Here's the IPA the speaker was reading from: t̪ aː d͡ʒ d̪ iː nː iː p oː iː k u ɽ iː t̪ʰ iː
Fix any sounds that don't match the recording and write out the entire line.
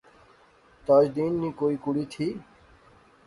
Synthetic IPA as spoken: t̪ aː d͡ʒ d̪ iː nː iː k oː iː k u ɽ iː t̪ʰ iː